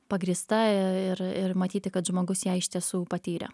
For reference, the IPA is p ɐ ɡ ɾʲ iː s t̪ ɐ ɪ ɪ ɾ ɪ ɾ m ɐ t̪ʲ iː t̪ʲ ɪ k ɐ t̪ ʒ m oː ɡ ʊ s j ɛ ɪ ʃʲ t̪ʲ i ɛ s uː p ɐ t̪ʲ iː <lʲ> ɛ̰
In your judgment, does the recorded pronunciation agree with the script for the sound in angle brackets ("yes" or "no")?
no